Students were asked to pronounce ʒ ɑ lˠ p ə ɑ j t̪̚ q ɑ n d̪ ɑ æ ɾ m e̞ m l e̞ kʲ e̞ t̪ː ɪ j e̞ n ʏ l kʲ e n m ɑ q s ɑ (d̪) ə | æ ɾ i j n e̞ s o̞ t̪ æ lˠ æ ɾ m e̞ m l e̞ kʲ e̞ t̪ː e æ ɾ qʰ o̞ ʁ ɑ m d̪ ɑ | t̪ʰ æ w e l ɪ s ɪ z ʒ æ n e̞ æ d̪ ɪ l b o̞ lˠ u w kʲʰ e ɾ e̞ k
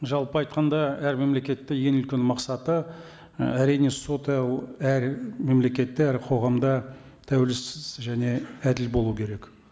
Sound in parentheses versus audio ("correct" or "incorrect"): incorrect